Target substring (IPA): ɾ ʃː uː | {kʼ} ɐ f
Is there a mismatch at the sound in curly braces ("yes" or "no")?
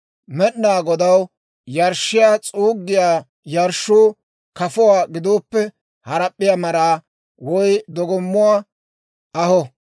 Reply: yes